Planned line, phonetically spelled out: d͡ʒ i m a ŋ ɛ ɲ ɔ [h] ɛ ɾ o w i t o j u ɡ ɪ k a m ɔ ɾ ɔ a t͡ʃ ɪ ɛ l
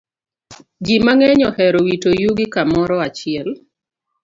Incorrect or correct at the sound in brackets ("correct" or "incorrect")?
correct